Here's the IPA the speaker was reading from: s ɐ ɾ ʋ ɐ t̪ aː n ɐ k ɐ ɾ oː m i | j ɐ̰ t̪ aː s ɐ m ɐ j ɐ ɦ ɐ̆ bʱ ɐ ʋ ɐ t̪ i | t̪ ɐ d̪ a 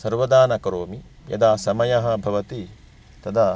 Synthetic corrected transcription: s ɐ ɾ ʋ ɐ d̪ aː n ɐ k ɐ ɾ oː m i | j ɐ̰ d̪ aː s ɐ m ɐ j ɐ ɦ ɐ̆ bʱ ɐ ʋ ɐ t̪ i | t̪ ɐ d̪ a